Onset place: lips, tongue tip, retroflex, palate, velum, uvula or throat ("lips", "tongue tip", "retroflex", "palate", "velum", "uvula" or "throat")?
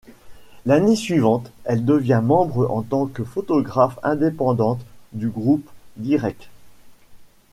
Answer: tongue tip